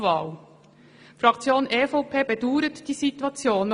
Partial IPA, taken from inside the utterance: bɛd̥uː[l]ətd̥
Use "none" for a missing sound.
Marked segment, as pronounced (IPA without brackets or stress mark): ɾ